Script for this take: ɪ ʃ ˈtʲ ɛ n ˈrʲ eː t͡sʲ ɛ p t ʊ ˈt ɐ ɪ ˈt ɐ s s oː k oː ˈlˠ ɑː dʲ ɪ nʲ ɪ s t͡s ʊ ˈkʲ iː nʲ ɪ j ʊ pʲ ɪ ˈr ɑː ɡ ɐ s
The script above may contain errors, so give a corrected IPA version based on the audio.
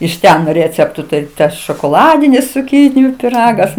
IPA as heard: ɪ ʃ ˈtʲ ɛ n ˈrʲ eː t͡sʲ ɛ p t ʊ ˈt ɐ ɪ ˈt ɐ s ʃ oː k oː ˈlˠ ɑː dʲ ɪ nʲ ɪ s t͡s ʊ ˈkʲ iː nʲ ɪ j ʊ pʲ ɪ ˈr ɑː ɡ ɐ s